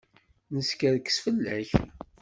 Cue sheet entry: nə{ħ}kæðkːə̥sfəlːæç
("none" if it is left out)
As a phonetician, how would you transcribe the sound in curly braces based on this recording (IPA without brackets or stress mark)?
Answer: s